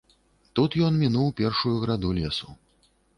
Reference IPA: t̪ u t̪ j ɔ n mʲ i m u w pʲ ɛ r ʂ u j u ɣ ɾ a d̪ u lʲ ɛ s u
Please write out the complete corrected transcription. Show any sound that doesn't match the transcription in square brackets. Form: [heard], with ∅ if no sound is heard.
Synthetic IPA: t̪ u t̪ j ɔ n mʲ i [n] u w pʲ ɛ r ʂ u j u ɣ ɾ a d̪ u lʲ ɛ s u